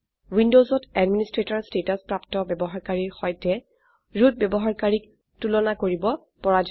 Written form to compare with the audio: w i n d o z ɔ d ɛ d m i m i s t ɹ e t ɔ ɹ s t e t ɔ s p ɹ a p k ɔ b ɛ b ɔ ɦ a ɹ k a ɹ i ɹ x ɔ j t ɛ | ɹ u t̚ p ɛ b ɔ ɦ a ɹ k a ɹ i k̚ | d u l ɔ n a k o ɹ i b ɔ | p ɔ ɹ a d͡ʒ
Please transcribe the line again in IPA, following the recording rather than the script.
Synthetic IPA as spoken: w i n d o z ɔ t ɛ d m i n i s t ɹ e t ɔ ɹ s t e t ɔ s p ɹ a p t ɔ b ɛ b ɔ ɦ a ɹ k a ɹ i ɹ x ɔ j t ɛ | ɹ u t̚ b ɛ b ɔ ɦ a ɹ k a ɹ i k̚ | t u l ɔ n a k o ɹ i b ɔ | p ɔ ɹ a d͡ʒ